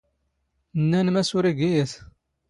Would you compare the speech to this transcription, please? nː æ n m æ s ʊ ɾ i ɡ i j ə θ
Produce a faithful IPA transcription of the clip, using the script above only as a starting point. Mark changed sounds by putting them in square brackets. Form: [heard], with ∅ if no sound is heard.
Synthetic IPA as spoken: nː æ n m æ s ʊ ɾ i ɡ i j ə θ